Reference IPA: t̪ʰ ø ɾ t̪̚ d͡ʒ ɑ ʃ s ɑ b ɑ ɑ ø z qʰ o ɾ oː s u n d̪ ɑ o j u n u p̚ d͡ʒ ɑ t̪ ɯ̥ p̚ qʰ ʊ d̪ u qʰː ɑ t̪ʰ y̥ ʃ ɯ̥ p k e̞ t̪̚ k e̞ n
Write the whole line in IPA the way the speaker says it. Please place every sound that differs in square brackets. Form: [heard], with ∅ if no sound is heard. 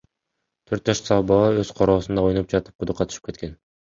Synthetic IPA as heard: t̪ʰ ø ɾ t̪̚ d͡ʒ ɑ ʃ s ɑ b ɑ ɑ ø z qʰ o ɾ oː s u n d̪ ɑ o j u n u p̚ d͡ʒ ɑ t̪ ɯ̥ p̚ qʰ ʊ d̪ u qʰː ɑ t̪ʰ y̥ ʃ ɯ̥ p k e̞ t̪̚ k e̞ n